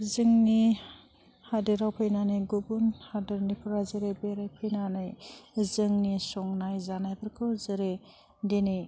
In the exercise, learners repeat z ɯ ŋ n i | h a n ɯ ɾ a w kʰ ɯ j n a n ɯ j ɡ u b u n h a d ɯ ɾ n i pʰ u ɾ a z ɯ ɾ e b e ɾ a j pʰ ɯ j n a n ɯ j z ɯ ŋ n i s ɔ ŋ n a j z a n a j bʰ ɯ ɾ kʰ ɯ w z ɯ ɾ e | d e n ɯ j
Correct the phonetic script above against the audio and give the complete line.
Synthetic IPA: z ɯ ŋ n i | h a d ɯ ɾ a w pʰ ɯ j n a n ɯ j ɡ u b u n h a d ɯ ɾ n i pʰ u ɾ a z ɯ ɾ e b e ɾ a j pʰ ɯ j n a n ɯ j z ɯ ŋ n i s ɔ ŋ n a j z a n a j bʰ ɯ ɾ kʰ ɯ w z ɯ ɾ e | d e n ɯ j